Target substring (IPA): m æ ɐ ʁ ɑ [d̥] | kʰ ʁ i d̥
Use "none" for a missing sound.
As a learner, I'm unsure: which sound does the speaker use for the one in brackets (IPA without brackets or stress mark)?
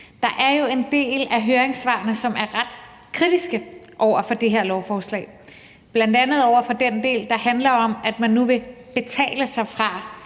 d̥